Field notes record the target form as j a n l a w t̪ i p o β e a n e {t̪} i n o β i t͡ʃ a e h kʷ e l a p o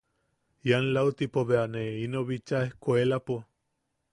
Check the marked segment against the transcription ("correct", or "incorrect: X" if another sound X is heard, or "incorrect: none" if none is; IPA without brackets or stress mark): incorrect: none